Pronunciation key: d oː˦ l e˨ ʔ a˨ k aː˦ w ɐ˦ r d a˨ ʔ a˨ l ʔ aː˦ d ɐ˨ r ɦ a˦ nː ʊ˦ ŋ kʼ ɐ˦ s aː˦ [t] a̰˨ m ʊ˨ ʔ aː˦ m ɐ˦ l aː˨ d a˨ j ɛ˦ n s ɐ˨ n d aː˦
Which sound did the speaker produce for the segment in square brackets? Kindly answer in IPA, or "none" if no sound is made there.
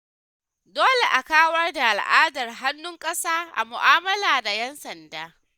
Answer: ʔ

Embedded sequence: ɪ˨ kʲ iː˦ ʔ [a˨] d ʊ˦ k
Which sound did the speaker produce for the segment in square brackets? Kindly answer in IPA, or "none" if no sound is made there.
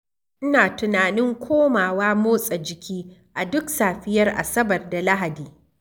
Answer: a˨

